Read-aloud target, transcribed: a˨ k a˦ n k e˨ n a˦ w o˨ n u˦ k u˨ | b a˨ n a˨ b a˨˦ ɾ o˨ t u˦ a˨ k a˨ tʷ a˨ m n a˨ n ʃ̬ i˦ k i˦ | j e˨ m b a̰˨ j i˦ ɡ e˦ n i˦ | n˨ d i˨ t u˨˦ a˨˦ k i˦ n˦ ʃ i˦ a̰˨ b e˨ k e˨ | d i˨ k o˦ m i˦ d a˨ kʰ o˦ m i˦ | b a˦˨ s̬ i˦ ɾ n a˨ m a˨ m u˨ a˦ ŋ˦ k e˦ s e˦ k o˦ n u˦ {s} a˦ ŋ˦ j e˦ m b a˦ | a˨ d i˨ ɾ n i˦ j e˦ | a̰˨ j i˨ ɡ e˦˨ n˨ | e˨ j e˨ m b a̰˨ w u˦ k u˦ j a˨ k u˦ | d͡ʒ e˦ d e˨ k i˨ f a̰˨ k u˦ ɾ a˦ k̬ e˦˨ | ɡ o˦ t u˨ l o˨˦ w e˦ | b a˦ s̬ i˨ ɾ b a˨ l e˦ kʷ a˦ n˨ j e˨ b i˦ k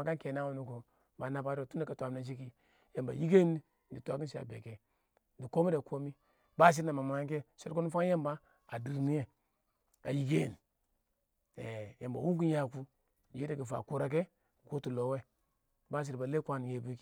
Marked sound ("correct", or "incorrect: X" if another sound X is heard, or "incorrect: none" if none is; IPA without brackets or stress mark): incorrect: f